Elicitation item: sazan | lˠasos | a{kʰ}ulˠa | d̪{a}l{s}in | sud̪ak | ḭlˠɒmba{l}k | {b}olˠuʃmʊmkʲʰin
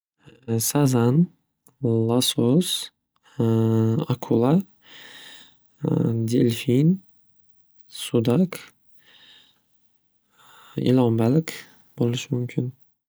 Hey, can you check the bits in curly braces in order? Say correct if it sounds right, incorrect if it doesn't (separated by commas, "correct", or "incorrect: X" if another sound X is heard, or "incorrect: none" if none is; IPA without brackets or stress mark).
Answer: correct, incorrect: e, incorrect: f, correct, correct